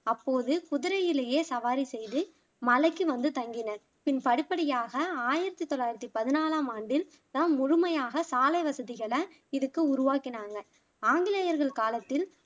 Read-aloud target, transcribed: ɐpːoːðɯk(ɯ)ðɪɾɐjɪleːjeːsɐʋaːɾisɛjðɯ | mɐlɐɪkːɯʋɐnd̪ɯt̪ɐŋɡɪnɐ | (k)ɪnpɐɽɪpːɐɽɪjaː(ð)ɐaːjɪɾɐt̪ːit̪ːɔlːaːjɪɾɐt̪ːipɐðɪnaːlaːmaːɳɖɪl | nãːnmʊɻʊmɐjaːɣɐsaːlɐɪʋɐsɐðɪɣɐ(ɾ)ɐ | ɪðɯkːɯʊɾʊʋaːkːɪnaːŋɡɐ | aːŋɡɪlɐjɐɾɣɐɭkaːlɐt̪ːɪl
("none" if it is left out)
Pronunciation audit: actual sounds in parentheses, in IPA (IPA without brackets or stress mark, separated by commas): ʊ, p, ɣ, ɭ